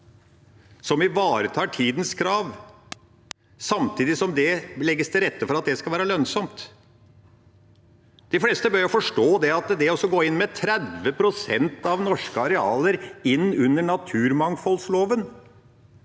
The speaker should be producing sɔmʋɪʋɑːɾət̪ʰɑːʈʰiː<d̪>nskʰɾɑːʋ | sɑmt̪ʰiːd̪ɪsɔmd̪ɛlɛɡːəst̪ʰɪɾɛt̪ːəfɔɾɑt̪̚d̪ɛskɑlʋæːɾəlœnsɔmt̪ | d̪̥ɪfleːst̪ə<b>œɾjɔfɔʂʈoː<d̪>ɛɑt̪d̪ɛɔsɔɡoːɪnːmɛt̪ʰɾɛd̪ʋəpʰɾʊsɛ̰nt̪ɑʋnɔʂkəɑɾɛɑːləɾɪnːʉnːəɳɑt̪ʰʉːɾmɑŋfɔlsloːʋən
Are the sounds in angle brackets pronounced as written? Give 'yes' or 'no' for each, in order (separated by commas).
yes, yes, yes